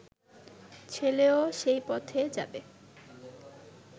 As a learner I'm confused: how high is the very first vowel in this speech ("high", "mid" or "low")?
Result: mid